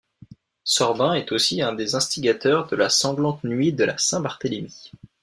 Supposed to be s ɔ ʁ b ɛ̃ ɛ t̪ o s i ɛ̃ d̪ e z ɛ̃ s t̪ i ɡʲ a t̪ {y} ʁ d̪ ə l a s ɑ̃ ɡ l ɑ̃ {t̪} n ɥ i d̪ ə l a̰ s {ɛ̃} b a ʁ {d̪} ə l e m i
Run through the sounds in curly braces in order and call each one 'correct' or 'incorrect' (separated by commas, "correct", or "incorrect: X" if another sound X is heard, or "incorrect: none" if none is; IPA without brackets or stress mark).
incorrect: œ, correct, correct, incorrect: t̪